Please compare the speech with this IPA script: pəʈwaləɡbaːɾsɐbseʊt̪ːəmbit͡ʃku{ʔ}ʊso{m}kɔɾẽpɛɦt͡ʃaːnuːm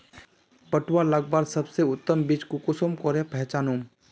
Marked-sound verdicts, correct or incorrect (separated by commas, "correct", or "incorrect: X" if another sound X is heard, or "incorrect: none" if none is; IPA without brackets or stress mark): incorrect: k, correct